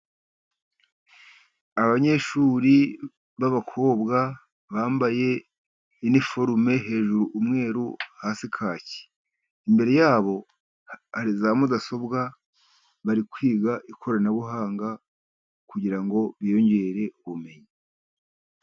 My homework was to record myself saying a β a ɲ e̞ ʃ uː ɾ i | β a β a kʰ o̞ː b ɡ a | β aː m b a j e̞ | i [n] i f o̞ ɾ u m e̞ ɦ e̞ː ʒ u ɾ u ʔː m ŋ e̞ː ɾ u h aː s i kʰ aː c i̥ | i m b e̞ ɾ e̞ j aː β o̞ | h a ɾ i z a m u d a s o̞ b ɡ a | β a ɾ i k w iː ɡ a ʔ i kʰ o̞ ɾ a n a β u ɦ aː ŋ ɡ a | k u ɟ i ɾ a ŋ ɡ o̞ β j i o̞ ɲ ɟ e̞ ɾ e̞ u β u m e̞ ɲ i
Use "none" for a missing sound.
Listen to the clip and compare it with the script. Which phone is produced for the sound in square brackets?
n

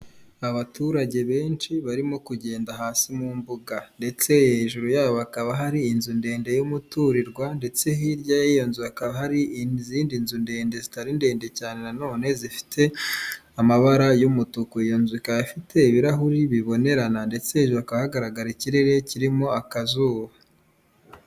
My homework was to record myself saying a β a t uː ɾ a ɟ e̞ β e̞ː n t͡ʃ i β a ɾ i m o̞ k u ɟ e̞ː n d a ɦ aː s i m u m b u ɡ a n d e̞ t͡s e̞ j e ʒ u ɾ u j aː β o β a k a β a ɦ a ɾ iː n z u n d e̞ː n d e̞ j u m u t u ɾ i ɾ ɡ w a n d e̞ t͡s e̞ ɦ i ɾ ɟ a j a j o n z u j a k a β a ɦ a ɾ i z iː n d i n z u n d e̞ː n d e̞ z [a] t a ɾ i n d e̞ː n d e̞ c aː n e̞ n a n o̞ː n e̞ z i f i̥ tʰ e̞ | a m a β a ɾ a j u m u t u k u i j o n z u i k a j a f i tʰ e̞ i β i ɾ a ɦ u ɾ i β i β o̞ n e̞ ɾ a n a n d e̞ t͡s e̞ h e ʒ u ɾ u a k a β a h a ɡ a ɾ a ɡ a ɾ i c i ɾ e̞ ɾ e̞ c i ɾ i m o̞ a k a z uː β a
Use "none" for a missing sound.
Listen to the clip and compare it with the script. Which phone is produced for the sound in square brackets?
i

